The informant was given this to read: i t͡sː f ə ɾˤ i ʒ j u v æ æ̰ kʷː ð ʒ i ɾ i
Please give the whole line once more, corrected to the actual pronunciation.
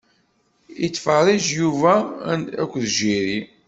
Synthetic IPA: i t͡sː f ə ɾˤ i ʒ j u v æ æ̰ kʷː ð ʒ i ɾ i